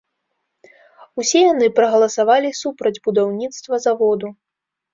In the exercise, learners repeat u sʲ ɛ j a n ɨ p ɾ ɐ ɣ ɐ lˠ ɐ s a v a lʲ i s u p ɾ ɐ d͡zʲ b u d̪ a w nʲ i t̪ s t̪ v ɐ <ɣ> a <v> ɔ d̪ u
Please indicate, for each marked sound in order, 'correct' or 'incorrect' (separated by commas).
incorrect, correct